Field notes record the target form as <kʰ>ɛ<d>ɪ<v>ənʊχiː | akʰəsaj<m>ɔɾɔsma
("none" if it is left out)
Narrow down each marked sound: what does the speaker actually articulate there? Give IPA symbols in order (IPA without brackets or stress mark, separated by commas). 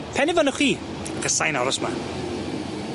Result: pʰ, n, v, n